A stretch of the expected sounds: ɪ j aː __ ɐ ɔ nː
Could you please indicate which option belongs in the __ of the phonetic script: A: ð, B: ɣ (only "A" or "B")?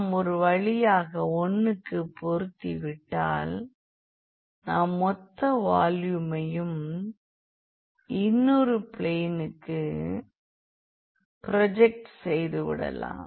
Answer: B